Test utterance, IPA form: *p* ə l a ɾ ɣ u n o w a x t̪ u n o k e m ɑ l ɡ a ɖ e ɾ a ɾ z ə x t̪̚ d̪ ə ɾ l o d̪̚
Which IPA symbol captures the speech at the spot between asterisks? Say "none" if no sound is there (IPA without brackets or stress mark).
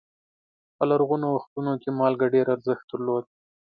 p